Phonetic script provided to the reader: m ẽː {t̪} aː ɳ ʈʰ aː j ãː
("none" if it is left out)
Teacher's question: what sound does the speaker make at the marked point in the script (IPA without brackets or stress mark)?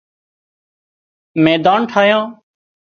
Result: d̪